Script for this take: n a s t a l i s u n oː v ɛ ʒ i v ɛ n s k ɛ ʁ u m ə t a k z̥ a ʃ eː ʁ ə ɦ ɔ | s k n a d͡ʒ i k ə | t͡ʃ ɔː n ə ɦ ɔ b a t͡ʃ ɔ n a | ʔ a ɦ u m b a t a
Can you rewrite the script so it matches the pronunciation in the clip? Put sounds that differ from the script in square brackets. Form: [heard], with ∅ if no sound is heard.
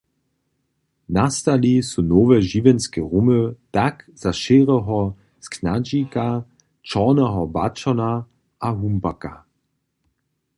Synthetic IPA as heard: n a s t a l i s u n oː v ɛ ʒ i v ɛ n s k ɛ ʁ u m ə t a k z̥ a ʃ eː ʁ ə ɦ ɔ | s k n a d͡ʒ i k [a] | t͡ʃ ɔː n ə ɦ ɔ b a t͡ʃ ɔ n a | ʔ a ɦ u m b a [k] a